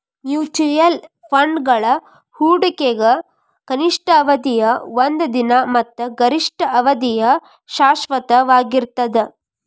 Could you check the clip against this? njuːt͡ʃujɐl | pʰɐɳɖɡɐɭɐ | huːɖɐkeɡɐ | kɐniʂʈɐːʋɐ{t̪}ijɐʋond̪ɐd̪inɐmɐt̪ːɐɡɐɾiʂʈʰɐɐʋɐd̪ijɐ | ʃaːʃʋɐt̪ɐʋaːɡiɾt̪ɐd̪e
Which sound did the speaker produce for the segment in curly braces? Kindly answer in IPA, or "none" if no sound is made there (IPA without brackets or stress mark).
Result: d̪